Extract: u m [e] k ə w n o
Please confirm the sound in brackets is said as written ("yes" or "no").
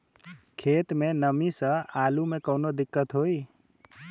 yes